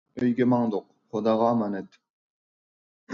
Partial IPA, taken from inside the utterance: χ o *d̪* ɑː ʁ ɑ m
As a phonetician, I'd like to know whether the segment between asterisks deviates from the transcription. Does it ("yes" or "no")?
no